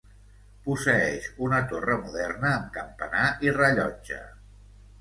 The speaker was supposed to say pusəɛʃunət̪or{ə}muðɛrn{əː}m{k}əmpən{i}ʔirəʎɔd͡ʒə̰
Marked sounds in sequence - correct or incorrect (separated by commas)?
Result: correct, correct, correct, incorrect